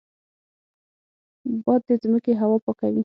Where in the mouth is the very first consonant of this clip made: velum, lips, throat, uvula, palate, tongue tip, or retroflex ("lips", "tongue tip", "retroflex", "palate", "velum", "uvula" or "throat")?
lips